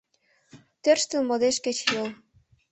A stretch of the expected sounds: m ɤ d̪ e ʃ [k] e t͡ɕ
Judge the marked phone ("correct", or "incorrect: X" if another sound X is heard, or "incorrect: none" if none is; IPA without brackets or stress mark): correct